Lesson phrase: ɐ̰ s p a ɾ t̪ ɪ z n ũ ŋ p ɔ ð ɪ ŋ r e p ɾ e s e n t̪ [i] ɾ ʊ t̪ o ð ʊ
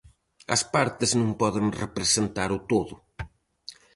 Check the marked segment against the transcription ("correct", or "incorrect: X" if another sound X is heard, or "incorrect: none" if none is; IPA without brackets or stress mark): incorrect: a